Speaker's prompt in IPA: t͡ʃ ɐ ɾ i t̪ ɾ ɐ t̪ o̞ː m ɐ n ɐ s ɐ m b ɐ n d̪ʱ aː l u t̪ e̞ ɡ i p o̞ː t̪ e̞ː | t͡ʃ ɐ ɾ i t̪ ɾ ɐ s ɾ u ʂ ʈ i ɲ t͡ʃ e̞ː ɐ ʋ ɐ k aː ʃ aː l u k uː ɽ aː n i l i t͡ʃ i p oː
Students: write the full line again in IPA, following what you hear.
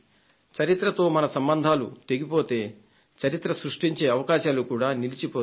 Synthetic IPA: t͡ʃ ɐ ɾ i t̪ ɾ ɐ t̪ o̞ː m ɐ n ɐ s ɐ m b ɐ n d̪ʱ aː l u t̪ e̞ ɡ i p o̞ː t̪ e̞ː | t͡ʃ ɐ ɾ i t̪ ɾ ɐ s ɾ u ʂ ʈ i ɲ t͡ʃ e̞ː ɐ ʋ ɐ k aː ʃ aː l u k uː ɽ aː n i l i t͡ʃ i p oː